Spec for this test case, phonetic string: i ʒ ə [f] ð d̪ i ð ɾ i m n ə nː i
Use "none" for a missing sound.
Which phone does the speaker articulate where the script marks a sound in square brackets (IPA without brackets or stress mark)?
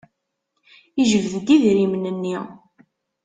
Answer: v